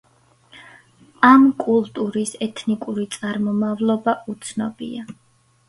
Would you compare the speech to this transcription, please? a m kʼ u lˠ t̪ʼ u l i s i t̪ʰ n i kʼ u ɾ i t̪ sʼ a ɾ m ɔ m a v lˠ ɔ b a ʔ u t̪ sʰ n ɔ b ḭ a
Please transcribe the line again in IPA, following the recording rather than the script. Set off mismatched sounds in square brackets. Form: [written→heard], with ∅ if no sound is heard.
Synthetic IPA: a m kʼ u lˠ t̪ʼ u [l→ɾ] i s [i→ɛ] t̪ʰ n i kʼ u ɾ i t̪ sʼ a ɾ m ɔ m a v lˠ ɔ b a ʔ u t̪ sʰ n ɔ b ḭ a